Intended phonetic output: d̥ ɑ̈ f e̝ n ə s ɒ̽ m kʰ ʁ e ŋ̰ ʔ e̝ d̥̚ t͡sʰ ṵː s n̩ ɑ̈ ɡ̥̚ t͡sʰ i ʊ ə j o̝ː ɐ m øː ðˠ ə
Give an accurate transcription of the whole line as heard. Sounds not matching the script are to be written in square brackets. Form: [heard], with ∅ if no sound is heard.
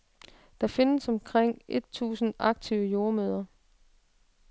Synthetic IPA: d̥ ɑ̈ f e̝ n ə s ɒ̽ m kʰ ʁ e ŋ̰ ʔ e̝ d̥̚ t͡sʰ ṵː s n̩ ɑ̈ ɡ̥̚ t͡sʰ i ʊ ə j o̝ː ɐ m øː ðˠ [ɐ]